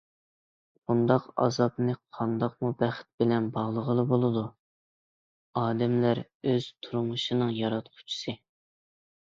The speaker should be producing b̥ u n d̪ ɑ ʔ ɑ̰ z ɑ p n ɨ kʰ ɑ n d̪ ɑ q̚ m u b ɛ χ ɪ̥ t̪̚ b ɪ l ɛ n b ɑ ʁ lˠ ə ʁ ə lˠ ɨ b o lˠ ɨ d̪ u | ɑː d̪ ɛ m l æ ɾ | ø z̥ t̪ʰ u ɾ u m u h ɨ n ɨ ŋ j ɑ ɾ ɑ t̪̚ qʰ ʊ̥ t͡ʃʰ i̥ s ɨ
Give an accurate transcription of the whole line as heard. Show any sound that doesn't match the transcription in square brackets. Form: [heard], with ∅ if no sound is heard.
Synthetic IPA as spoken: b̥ u n d̪ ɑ [q] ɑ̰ z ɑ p n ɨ [qʰ] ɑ n d̪ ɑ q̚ m u b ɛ χ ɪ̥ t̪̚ b ɪ l ɛ n b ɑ ʁ lˠ ə ʁ ə lˠ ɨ b o lˠ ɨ d̪ u | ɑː d̪ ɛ m l æ ɾ | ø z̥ t̪ʰ u ɾ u m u [ʃ] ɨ n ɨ ŋ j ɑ ɾ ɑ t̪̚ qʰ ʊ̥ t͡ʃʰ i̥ s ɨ

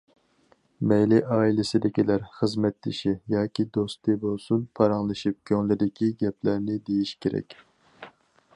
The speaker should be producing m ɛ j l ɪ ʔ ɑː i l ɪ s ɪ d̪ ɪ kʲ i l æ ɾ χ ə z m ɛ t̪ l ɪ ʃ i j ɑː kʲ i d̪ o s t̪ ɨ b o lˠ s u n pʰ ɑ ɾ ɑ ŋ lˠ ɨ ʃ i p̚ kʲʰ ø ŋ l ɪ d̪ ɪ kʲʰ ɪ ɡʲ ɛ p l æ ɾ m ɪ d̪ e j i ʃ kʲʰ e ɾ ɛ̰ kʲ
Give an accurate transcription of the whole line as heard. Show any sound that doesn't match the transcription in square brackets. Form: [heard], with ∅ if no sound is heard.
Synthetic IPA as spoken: m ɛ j l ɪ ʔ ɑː i l ɪ s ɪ d̪ ɪ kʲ i l æ ɾ χ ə z m ɛ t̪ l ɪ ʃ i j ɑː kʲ i d̪ o s t̪ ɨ b o lˠ s u n pʰ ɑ ɾ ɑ ŋ lˠ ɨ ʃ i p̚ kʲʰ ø ŋ l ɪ d̪ ɪ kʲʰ [i] ɡʲ ɛ p l æ ɾ [n] ɪ d̪ e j i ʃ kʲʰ e ɾ ɛ̰ kʲ

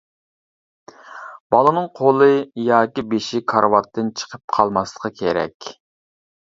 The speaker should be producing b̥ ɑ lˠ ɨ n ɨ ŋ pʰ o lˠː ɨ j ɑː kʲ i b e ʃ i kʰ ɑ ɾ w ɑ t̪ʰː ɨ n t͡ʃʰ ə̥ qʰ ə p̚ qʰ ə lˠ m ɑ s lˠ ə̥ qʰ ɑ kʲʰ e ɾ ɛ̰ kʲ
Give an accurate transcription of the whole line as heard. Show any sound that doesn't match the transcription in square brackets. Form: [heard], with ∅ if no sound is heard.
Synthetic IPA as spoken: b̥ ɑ lˠ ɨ n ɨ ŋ [qʰ] o [lˠ] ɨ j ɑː kʲ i b e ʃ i kʰ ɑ ɾ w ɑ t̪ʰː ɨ n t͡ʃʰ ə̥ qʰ ə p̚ qʰ [ɑ] lˠ m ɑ s lˠ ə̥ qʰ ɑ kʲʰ e ɾ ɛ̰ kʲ

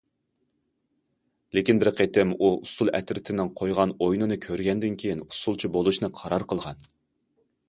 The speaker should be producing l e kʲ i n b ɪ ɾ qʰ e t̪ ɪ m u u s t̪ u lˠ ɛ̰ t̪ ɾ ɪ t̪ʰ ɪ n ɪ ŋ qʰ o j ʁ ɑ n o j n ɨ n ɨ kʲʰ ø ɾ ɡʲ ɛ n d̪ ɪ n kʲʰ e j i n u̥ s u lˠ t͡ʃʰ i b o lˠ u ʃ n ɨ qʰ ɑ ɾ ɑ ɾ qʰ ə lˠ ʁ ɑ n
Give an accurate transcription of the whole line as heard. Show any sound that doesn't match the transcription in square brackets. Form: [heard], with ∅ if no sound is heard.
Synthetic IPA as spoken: l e kʲ i n b ɪ ɾ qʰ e t̪ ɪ m u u s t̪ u lˠ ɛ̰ t̪ ɾ ɪ t̪ʰ ɪ n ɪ ŋ qʰ o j ʁ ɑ n o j n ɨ n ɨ kʲʰ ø ɾ ɡʲ ɛ n d̪ ɪ n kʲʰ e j i n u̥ s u lˠ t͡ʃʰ i b o lˠ u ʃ n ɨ qʰ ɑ ɾ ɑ ɾ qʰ ə lˠ ʁ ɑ n

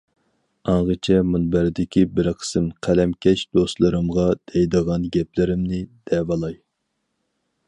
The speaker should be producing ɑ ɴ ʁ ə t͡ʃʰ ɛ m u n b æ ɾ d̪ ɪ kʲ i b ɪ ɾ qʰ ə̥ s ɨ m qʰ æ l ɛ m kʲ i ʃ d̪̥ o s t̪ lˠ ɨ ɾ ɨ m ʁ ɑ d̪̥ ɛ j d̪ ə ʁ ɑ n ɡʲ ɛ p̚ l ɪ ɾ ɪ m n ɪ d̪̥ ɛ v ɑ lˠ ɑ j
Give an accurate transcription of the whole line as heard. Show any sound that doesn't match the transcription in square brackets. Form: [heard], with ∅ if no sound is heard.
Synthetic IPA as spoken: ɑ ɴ ʁ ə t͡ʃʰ ɛ m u n b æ ɾ d̪ ɪ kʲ i b ɪ ɾ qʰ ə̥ s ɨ m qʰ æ l ɛ m kʲ [ɛ] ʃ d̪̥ o s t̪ lˠ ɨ ɾ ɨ m ʁ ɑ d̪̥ ɛ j d̪ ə ʁ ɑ n ɡʲ ɛ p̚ l ɪ ɾ ɪ m n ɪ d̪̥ ɛ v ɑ lˠ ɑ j

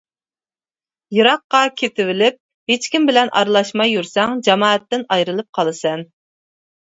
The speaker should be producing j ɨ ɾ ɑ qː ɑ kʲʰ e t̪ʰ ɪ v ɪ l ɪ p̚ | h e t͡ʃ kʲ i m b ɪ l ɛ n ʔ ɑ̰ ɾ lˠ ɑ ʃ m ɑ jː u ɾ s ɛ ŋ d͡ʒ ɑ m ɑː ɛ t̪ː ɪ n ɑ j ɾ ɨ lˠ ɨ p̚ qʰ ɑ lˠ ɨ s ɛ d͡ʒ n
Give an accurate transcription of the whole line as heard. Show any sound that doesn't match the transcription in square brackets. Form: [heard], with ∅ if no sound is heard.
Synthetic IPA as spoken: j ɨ ɾ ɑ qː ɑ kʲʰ e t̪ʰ ɪ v ɪ l ɪ p̚ | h e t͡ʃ kʲ i m b ɪ l ɛ n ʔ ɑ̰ ɾ lˠ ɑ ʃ m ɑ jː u ɾ s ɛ ŋ d͡ʒ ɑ m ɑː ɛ t̪ː ɪ n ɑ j ɾ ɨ lˠ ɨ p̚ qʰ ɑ lˠ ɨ s ɛ [∅] n

